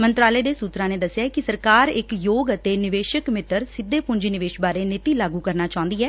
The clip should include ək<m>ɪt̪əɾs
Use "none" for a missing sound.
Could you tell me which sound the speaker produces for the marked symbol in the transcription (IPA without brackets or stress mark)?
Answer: m